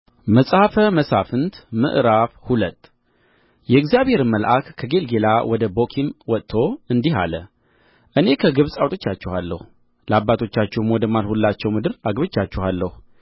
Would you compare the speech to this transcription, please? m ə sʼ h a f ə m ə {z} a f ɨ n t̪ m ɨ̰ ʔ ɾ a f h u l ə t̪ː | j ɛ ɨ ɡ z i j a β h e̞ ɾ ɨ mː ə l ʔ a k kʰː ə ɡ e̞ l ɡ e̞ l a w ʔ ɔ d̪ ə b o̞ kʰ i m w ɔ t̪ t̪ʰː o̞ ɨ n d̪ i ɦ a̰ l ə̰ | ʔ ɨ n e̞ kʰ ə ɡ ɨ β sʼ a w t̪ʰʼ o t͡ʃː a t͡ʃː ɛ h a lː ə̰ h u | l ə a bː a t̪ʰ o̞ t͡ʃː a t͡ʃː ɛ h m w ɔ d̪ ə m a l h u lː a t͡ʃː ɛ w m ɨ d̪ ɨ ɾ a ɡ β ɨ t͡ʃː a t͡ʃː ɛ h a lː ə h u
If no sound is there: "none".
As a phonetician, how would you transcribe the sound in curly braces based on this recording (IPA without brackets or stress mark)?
s